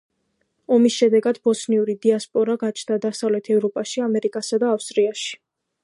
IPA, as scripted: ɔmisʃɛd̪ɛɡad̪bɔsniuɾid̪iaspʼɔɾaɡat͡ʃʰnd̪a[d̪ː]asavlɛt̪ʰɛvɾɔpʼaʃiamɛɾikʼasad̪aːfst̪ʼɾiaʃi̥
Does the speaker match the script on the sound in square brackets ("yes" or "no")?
no